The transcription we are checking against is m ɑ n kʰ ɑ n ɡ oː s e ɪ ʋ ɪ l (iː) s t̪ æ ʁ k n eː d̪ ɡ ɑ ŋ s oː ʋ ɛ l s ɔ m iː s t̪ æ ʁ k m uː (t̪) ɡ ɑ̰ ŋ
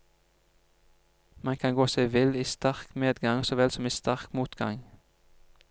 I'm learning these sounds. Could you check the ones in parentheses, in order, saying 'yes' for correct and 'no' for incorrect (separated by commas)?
yes, yes